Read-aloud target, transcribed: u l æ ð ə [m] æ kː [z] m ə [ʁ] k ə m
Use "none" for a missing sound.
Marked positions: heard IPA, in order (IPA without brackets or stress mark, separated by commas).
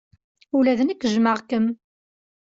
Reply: n, ʒ, ʁ